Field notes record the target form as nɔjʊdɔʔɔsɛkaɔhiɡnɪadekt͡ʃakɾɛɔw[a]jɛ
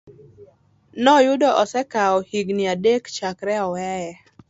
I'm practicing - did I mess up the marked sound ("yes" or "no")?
yes